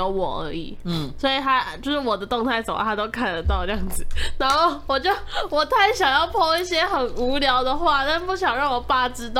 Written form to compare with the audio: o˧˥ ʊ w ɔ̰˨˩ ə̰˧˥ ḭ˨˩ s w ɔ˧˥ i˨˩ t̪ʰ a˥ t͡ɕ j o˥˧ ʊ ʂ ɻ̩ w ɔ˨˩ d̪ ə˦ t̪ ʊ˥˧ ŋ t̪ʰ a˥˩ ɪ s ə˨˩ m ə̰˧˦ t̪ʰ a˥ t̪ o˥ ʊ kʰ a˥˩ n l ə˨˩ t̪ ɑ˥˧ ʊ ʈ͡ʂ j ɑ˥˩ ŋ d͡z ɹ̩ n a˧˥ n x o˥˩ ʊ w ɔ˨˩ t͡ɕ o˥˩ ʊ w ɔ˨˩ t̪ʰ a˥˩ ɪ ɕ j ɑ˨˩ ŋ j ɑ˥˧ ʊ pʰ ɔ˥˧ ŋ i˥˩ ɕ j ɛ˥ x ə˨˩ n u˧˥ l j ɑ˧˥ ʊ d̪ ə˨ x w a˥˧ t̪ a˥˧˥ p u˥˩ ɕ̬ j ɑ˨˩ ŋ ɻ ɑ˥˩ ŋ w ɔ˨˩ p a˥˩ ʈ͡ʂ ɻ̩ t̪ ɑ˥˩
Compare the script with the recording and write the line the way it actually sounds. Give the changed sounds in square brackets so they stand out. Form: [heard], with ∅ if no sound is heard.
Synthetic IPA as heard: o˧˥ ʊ w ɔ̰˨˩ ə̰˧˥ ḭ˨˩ s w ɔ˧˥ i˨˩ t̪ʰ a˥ t͡ɕ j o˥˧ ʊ ʂ ɻ̩ w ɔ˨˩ d̪ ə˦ t̪ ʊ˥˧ ŋ t̪ʰ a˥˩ ɪ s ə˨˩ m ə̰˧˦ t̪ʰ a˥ t̪ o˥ ʊ kʰ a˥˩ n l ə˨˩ t̪ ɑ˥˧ ʊ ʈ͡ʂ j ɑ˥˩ ŋ d͡z ɹ̩ n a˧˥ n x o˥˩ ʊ w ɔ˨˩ t͡ɕ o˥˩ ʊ w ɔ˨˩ t̪ʰ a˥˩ ɪ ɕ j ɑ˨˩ ŋ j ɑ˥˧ ʊ pʰ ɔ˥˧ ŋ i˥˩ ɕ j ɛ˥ x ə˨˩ n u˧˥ l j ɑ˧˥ ʊ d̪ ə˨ x w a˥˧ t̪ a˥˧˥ p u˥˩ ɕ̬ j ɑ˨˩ ŋ ɻ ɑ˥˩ ŋ w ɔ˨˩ p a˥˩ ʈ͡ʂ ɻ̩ t̪ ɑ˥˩